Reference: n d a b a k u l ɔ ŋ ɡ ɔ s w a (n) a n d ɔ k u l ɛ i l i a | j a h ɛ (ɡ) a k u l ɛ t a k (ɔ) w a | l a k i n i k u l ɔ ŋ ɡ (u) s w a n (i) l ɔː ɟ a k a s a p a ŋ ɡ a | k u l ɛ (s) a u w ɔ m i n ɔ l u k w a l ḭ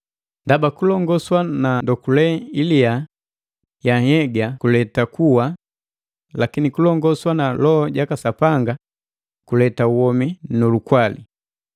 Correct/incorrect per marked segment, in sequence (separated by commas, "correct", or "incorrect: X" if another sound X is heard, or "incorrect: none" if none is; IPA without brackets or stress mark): correct, correct, incorrect: u, incorrect: ɔ, incorrect: a, incorrect: t